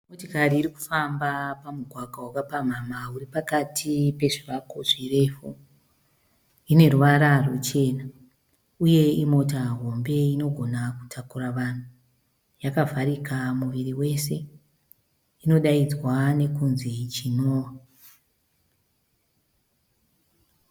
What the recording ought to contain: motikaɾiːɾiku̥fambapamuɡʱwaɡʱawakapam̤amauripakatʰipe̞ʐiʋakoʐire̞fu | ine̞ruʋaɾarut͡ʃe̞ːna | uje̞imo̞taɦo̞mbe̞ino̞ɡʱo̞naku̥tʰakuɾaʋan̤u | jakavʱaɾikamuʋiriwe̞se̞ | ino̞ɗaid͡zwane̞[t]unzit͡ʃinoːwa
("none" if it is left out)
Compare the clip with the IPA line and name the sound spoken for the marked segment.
k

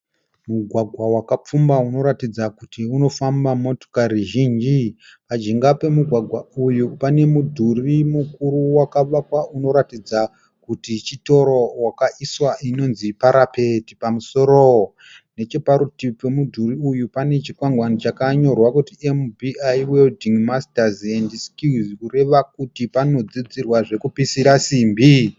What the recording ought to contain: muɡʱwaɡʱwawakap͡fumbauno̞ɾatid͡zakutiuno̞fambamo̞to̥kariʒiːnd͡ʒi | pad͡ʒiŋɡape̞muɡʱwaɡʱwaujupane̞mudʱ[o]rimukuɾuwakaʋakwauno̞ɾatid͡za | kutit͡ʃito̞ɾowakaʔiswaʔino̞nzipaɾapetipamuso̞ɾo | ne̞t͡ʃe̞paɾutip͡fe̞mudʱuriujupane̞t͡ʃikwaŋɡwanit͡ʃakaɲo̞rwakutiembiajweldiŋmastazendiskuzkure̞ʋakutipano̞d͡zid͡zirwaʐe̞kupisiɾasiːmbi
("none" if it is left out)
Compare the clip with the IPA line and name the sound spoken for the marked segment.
u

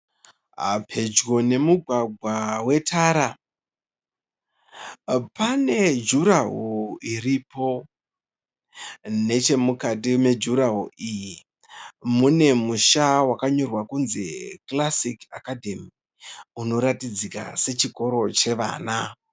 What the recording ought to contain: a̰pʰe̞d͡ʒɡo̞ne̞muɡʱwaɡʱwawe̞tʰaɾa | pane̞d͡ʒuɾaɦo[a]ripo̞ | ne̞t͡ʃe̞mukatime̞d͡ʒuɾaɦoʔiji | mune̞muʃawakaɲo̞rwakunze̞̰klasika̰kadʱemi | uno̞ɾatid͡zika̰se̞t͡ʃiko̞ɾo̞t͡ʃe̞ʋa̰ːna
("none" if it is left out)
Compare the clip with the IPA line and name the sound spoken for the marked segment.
i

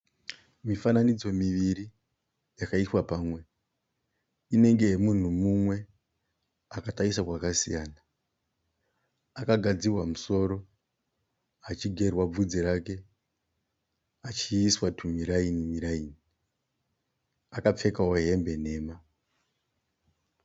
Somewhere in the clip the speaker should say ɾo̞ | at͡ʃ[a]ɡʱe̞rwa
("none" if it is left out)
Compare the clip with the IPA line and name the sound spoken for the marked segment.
i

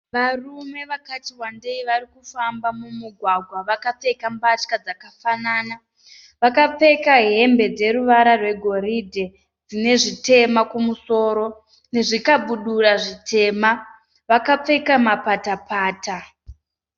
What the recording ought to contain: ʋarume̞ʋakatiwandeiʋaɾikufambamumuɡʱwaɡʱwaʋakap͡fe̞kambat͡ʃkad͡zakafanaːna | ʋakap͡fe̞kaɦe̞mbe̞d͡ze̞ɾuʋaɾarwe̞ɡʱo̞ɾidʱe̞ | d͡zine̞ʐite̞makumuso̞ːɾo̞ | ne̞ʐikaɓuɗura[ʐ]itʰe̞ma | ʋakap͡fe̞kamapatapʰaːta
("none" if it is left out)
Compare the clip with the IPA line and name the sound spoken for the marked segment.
ʐ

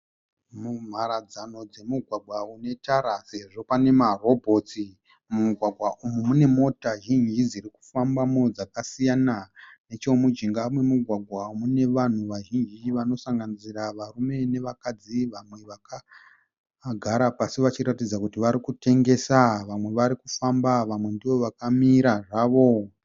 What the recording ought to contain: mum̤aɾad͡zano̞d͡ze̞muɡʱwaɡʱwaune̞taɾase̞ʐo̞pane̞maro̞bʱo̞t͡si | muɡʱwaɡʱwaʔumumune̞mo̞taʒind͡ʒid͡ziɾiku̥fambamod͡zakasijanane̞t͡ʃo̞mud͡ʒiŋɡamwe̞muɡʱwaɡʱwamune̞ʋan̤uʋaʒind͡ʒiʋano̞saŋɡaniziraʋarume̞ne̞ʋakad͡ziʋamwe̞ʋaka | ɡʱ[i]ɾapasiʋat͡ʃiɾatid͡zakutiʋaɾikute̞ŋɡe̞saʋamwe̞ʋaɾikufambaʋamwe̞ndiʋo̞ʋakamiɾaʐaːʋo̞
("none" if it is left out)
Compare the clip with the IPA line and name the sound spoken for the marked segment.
a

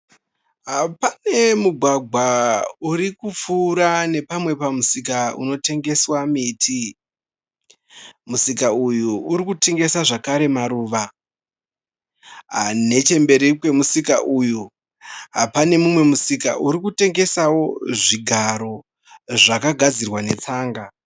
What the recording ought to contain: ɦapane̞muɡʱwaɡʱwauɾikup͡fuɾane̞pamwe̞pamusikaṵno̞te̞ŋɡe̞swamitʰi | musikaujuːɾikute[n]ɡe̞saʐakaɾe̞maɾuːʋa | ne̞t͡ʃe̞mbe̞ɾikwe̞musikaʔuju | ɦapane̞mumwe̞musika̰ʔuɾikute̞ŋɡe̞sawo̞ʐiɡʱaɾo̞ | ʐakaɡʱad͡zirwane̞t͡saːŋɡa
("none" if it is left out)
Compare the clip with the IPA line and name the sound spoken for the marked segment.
ŋ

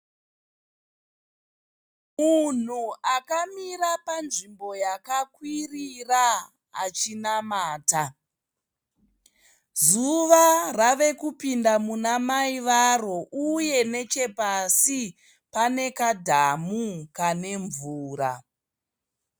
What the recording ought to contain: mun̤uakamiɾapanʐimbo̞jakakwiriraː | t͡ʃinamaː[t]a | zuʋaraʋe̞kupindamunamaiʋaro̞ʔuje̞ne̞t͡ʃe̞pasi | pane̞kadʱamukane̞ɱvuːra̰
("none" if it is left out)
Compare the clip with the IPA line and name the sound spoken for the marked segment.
t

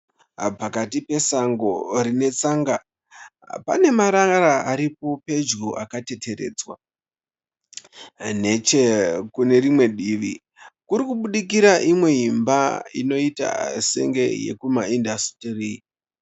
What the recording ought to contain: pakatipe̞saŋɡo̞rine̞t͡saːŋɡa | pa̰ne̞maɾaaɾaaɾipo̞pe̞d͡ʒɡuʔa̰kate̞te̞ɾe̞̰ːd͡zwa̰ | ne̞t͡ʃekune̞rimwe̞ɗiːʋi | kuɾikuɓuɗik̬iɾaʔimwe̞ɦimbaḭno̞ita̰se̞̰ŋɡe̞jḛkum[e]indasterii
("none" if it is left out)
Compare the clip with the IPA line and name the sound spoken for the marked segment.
a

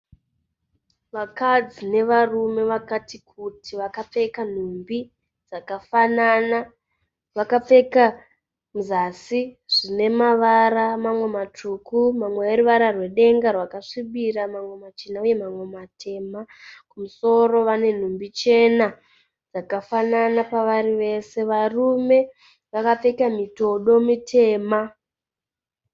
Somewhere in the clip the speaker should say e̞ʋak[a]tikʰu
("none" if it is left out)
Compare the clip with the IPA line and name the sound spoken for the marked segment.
a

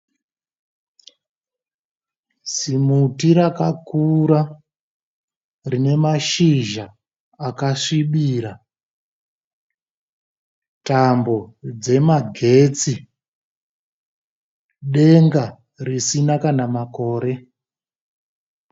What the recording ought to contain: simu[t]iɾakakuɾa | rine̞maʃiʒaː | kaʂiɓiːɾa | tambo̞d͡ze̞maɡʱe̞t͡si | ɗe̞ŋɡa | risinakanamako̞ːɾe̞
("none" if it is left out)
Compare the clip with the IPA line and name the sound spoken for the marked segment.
t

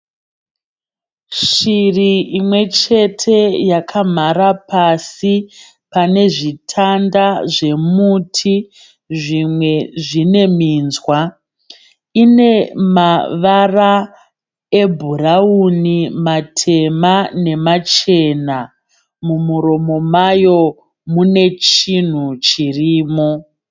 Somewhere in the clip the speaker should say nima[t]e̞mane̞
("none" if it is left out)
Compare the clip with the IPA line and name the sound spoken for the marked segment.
tʰ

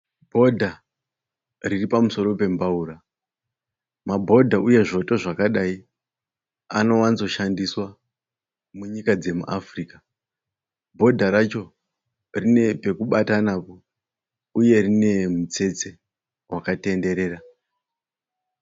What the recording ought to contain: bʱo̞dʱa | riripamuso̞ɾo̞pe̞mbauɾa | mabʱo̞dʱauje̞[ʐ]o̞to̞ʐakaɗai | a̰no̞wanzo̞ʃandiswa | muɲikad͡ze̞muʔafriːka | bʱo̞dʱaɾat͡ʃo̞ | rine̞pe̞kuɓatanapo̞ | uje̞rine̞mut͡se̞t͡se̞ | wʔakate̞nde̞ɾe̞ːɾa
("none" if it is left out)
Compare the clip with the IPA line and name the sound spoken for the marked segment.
ʐ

